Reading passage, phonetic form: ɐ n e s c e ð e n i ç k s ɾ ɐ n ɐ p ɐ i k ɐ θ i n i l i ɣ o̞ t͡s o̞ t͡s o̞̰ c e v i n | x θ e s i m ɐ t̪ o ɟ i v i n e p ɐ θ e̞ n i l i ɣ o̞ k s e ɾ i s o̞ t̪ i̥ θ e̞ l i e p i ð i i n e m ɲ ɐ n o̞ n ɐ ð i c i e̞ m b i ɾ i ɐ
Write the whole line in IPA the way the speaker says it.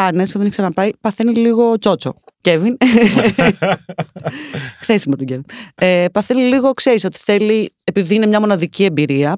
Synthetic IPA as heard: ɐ n e s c e ð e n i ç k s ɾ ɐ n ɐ p ɐ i p ɐ θ e n i l i ɣ o̞ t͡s o̞ t͡s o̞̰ c e v i n | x θ e s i m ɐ t̪ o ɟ e v i n e p ɐ θ e̞ n i l i ɣ o̞ k s e ɾ i s o̞ t̪ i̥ θ e̞ l i e p i ð i i n e m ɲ ɐ m o̞ n ɐ ð i c i e̞ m b i ɾ i ɐ